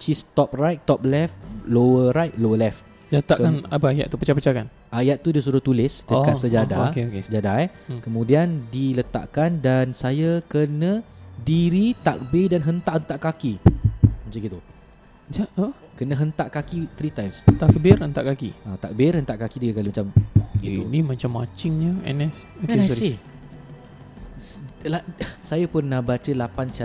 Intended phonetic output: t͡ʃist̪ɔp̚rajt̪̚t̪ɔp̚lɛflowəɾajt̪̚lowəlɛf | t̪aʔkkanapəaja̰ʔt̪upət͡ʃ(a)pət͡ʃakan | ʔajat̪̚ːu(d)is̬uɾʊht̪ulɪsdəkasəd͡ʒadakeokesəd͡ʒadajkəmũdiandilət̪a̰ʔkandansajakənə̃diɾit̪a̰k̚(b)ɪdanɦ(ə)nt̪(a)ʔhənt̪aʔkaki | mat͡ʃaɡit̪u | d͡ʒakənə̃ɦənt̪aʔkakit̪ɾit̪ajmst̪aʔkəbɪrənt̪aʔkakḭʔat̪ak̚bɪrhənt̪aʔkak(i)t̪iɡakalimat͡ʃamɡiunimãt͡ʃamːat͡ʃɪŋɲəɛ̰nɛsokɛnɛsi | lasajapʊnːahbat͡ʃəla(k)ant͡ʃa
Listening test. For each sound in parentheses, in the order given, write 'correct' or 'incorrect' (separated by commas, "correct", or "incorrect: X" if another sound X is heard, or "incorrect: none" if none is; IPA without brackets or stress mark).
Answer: correct, correct, correct, correct, correct, correct, incorrect: p